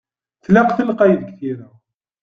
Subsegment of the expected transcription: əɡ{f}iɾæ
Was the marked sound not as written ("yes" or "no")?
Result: yes